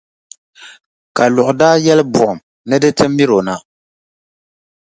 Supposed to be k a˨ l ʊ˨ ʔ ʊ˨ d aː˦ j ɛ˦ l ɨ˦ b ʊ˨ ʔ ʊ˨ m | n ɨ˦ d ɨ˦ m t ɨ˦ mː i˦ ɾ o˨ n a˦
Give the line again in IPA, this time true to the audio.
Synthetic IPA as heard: k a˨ l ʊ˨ ʔ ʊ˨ d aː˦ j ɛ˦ l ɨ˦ b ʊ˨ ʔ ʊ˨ m | n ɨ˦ d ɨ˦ t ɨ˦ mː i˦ ɾ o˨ n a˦